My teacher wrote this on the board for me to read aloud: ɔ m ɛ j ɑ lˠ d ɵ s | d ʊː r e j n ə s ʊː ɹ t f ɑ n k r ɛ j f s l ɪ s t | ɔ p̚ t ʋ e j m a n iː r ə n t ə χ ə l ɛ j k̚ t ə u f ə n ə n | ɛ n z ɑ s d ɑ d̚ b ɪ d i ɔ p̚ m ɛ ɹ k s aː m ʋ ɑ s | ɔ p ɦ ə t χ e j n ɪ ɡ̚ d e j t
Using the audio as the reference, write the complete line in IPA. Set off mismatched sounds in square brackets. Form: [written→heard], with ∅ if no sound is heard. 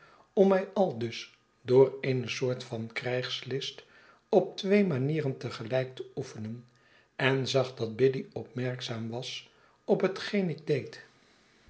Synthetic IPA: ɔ m ɛ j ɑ lˠ d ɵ s | d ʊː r e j n ə s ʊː ɹ t f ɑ n k r ɛ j [f→χ] s l ɪ s t | ɔ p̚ t ʋ e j m a n iː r ə n t ə χ ə l ɛ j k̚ t ə u f ə n ə n | ɛ n z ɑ [s→χ] d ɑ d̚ b ɪ d i ɔ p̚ m ɛ ɹ k s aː m ʋ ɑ s | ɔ p ɦ ə t χ e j n ɪ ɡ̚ d e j t